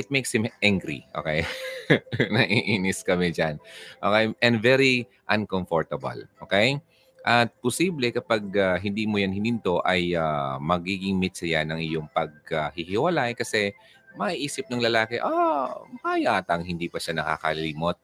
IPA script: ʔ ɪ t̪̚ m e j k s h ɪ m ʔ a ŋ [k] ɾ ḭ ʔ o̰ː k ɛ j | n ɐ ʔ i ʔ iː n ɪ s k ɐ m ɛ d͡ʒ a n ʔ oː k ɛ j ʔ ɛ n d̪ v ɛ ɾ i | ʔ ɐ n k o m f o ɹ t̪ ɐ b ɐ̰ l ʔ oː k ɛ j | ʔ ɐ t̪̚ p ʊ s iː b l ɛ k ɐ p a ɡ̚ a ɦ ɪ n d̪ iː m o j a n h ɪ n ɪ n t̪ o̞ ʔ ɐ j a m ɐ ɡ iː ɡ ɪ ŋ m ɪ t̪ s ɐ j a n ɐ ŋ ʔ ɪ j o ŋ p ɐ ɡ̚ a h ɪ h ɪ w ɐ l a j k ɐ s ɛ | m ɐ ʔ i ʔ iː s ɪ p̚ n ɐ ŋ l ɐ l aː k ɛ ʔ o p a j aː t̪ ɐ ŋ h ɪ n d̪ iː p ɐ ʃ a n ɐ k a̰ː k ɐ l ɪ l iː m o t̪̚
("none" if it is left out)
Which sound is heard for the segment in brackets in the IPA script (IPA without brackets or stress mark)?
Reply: ɡ